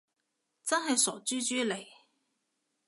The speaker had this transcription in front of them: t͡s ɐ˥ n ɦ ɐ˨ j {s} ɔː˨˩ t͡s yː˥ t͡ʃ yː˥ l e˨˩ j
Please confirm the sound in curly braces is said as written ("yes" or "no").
yes